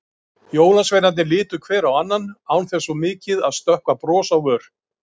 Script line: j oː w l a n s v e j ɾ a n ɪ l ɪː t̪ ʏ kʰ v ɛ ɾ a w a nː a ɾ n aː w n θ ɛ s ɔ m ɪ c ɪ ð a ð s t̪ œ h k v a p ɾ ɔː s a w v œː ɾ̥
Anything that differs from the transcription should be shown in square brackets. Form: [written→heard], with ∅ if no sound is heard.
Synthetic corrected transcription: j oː w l a n s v e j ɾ a n ɪ l ɪː t̪ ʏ kʰ v [ɛ→ɛː] ɾ a w a nː a [ɾ→∅] n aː w n θ ɛ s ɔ m [ɪ→ɪː] c ɪ ð a ð s t̪ œ h k v a p ɾ ɔː s a w v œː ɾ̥

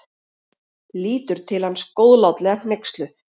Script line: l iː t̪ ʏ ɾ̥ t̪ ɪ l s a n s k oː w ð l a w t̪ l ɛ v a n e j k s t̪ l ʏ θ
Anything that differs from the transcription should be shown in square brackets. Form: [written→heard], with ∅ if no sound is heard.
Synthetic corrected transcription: l iː t̪ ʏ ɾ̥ [t̪→t̪ʰ] ɪ l [s→h] a n s k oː w ð l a w t̪ l ɛ [v→ɣ] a n e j k s t̪ l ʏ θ

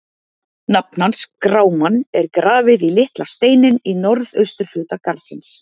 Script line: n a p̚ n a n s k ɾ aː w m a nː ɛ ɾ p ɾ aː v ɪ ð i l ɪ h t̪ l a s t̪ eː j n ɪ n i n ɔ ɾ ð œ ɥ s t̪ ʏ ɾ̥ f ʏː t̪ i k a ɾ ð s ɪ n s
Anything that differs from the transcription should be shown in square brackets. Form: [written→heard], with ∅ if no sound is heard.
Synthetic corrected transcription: n a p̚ n a n s k ɾ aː w m a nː ɛ ɾ [p→k] ɾ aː v ɪ ð i l ɪ h t̪ l a s t̪ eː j n ɪ n i n ɔ ɾ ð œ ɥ s t̪ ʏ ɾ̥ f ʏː t̪ [i→a] k a ɾ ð s ɪ n s

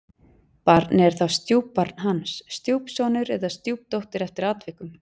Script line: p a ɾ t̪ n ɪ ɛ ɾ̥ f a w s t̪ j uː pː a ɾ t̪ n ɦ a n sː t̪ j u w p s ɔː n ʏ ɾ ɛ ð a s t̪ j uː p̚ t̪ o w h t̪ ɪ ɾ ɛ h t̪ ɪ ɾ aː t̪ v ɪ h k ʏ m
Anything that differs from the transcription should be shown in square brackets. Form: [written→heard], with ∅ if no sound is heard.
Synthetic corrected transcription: p a ɾ t̪ n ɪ ɛ ɾ̥ [f→θ] a w s t̪ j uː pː a ɾ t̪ n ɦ a n sː t̪ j u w p s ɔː n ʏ ɾ ɛ ð a s t̪ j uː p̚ t̪ o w h t̪ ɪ ɾ ɛ [h→f] t̪ ɪ ɾ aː t̪ v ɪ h k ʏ m

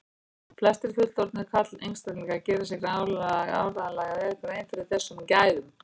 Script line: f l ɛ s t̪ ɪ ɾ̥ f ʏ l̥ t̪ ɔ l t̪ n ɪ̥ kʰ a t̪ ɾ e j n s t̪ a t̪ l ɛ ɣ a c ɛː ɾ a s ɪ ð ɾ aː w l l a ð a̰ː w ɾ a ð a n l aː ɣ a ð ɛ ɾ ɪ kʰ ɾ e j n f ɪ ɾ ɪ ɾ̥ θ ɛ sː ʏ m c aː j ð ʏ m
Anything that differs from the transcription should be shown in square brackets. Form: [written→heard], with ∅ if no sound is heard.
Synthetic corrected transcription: f l ɛ s t̪ ɪ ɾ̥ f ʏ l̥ t̪ ɔ [l→ɾ] t̪ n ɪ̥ kʰ a t̪ [ɾ→l] e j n s t̪ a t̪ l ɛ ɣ a c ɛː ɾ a s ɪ [ð→ɣ] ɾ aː w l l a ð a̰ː w ɾ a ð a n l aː ɣ a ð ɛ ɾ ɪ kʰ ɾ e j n f ɪ ɾ ɪ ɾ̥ θ ɛ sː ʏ m c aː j ð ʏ m

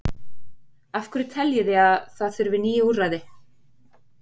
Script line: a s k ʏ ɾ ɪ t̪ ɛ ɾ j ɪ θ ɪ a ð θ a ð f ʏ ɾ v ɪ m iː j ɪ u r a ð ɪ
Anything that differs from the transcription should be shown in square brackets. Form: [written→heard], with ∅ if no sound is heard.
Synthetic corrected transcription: a [s→f] k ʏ ɾ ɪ [t̪→t̪ʰ] ɛ [ɾ→l] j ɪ [θ→ð] ɪ a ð θ a ð [f→θ] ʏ ɾ v ɪ [m→n] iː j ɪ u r a ð ɪ

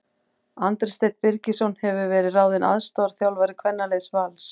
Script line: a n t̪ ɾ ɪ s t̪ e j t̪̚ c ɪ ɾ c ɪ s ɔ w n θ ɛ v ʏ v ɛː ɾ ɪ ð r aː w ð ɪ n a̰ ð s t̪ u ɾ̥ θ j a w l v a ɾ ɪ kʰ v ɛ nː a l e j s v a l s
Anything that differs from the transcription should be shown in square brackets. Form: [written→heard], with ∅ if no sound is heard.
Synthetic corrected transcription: a n t̪ ɾ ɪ s t̪ e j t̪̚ [c→p] ɪ ɾ c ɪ s ɔ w n [θ→h] ɛ v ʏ v ɛː ɾ ɪ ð r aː w ð ɪ n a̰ ð s t̪ [u→ɔ] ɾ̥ θ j a w l v a ɾ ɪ kʰ v ɛ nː a l e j s v a l s

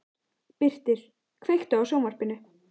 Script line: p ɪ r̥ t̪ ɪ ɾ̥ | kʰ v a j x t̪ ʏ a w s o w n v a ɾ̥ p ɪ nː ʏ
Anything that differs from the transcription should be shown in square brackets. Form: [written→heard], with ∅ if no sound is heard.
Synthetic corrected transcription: p ɪ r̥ t̪ ɪ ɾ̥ | kʰ v [a→e] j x t̪ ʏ a w s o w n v a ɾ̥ p ɪ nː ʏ

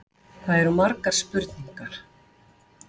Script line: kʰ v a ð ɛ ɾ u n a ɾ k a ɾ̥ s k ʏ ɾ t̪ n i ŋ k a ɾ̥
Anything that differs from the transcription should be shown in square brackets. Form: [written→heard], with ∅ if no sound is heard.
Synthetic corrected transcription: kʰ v a ð ɛ ɾ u [n→m] a ɾ k a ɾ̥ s [k→p] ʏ ɾ t̪ n i ŋ k a ɾ̥

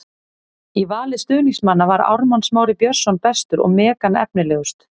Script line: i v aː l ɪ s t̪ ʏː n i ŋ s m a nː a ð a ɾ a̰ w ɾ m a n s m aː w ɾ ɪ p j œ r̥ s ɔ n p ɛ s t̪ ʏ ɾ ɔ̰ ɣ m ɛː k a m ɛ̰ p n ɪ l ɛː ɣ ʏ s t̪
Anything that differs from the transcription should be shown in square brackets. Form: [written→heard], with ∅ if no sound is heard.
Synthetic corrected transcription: i v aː l ɪ s t̪ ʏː n i ŋ s m a nː a [ð→v] a ɾ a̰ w ɾ m a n s m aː w ɾ ɪ p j œ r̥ s ɔ n p ɛ s t̪ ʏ ɾ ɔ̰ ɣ m ɛː k a [m→n] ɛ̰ p n ɪ l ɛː ɣ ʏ s t̪

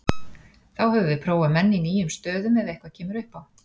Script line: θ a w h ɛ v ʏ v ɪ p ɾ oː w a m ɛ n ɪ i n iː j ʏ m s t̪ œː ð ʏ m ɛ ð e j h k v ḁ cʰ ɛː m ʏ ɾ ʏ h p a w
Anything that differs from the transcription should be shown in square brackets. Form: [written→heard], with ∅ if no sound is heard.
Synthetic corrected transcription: θ a w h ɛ v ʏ v ɪ [p→pʰ] ɾ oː w a m ɛ [n→nː] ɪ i n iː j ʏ m s t̪ œː ð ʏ m ɛ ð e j h k v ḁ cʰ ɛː m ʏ ɾ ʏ h p a w

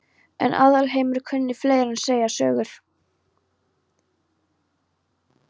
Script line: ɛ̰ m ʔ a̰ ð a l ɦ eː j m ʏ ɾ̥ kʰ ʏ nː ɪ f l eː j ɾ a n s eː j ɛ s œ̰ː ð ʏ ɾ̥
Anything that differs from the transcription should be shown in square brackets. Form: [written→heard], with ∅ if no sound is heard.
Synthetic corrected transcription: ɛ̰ [m→n] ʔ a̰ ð a l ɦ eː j m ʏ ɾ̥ kʰ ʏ nː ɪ f l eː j ɾ a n s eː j [ɛ→a] s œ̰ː [ð→ɣ] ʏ ɾ̥

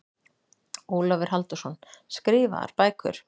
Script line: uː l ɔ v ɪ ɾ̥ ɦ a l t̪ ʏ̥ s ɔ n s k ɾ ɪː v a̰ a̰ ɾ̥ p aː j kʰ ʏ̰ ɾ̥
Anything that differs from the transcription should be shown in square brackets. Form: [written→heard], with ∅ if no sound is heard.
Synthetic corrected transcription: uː l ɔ v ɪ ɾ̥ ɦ a l t̪ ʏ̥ s ɔ n s k ɾ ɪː v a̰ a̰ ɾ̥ p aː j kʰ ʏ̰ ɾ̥

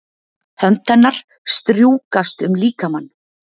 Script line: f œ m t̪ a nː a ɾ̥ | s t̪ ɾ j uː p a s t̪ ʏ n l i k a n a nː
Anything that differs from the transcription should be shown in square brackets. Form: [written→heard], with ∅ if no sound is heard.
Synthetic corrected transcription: [f→h] œ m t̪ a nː a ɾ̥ | s t̪ ɾ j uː [p→k] a s t̪ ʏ [n→m] l [i→iː] k a [n→m] a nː

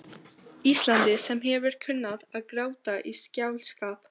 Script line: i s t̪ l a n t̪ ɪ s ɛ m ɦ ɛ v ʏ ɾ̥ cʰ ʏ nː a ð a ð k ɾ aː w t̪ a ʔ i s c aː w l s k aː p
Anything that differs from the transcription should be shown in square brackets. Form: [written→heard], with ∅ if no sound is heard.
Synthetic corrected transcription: i s t̪ l a n t̪ ɪ s ɛ m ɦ ɛ v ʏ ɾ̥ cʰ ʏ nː a ð a ð k ɾ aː w t̪ a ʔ i s c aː w l s k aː p

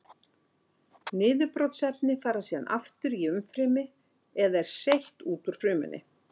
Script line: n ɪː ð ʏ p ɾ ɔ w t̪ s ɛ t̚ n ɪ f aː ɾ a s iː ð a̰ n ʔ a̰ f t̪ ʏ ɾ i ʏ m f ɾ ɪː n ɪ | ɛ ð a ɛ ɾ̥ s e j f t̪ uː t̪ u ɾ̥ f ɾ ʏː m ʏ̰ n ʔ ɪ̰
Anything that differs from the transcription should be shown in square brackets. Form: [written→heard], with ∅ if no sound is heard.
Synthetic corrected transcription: n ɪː ð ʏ p ɾ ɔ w t̪ s ɛ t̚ n ɪ f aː ɾ a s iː ð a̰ n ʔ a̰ f t̪ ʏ ɾ i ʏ m f ɾ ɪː [n→m] ɪ | ɛ ð a ɛ ɾ̥ s e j [f→h] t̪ uː t̪ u ɾ̥ f ɾ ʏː m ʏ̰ n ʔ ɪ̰

